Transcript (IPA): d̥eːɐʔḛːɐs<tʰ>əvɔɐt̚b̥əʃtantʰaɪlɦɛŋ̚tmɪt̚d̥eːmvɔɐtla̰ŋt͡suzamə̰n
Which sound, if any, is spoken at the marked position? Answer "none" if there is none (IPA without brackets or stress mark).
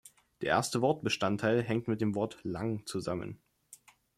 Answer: t